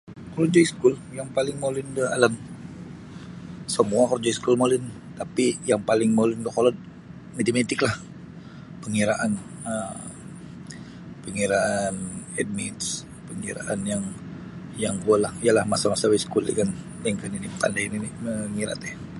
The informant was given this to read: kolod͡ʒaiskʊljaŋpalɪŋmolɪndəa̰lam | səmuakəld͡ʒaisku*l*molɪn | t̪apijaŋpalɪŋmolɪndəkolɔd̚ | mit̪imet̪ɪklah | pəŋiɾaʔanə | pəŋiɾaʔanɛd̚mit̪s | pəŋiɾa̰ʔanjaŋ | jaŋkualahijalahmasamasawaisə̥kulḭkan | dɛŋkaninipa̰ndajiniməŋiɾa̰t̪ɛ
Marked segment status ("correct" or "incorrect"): correct